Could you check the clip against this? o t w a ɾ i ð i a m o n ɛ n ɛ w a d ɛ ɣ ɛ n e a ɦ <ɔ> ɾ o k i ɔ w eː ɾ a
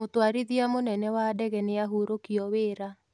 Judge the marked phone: incorrect: u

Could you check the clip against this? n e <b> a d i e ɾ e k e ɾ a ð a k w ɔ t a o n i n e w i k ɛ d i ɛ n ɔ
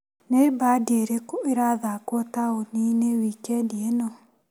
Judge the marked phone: correct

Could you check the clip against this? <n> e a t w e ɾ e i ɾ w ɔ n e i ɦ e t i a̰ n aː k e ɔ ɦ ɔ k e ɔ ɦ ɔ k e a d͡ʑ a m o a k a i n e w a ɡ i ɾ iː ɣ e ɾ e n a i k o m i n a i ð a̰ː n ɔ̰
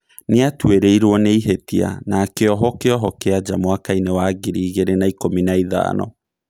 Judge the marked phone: correct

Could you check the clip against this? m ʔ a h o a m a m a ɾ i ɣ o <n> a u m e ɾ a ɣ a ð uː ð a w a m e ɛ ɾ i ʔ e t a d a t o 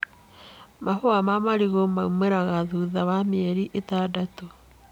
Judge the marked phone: incorrect: m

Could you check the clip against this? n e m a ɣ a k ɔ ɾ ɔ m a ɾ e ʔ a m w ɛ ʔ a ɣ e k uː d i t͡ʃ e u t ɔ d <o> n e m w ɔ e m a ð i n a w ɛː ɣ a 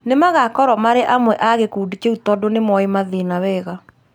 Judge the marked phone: correct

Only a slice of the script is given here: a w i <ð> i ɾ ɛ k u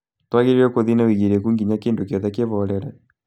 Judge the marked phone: incorrect: ɣ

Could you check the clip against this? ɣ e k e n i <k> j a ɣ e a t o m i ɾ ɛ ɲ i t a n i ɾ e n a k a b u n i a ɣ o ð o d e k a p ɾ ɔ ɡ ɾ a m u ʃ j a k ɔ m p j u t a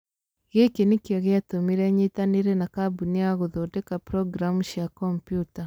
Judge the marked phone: correct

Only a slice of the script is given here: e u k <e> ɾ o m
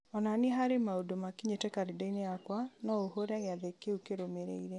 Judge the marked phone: correct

